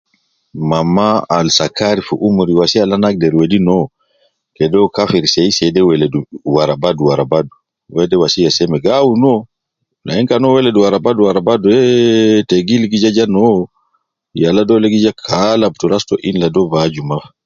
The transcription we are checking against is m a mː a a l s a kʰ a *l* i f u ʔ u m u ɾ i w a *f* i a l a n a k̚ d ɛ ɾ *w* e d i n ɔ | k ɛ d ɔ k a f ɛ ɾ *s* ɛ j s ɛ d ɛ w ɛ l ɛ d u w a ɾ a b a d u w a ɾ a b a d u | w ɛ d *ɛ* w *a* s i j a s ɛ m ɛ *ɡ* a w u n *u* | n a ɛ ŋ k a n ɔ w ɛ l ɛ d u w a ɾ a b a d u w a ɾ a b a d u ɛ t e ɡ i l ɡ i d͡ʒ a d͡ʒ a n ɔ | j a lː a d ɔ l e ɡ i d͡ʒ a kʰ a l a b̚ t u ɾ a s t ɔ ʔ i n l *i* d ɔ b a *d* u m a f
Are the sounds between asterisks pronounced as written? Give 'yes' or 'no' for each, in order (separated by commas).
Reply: no, no, yes, yes, yes, yes, yes, no, no, no